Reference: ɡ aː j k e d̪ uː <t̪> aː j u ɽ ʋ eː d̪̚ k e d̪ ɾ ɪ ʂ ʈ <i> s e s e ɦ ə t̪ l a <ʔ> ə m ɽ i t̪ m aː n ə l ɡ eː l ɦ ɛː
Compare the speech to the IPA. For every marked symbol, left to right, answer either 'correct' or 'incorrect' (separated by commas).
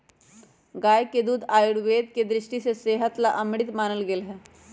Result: incorrect, correct, correct